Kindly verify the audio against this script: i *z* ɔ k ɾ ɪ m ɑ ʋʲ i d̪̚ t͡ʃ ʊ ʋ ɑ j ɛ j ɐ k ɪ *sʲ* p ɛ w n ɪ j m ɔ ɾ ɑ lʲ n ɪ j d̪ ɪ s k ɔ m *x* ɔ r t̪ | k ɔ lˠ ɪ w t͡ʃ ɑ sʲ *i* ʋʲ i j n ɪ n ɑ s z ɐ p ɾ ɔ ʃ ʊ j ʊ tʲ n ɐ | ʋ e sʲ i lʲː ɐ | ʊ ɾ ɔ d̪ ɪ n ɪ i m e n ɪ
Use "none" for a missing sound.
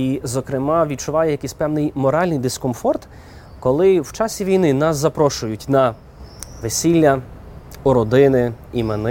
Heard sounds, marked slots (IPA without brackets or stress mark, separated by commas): z, sʲ, f, i